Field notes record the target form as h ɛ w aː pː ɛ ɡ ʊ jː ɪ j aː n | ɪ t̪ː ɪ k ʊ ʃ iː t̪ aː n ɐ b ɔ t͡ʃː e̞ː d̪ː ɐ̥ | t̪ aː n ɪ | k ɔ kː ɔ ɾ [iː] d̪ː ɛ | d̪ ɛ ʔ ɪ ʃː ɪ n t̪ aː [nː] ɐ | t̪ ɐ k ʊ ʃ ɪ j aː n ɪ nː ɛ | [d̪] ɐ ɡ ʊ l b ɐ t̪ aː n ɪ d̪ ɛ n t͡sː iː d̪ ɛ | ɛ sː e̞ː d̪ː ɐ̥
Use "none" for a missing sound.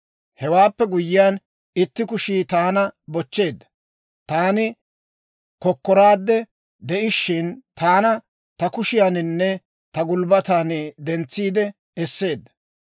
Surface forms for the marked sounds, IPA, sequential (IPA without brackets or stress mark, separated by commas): aː, n, t̪